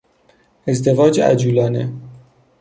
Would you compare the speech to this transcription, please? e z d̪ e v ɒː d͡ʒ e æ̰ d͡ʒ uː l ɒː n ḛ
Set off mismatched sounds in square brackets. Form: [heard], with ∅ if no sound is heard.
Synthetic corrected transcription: e z d̪ e v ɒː d͡ʒ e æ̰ d͡ʒ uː l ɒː n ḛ